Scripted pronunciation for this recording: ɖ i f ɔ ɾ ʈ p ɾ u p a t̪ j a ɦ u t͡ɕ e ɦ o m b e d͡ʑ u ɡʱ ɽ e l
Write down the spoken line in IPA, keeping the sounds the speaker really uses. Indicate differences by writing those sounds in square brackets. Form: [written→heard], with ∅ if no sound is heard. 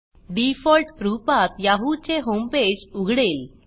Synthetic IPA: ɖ i f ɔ [ɾ→l] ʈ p ɾ u p a t̪ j a ɦ u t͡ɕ e ɦ o m [b→p] e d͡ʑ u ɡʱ ɽ e l